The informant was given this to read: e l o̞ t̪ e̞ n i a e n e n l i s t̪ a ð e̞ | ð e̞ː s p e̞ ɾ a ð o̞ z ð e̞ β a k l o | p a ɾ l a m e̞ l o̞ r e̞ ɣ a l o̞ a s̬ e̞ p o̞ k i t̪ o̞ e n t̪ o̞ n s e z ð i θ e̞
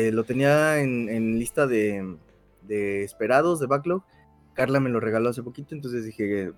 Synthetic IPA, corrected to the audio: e l o̞ t̪ e̞ n i a e n e n l i s t̪ a ð e̞ | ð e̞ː s p e̞ ɾ a ð o̞ z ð e̞ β a k l o | k a ɾ l a m e̞ l o̞ r e̞ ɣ a l o̞ a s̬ e̞ p o̞ k i t̪ o̞ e n t̪ o̞ n s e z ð i x e̞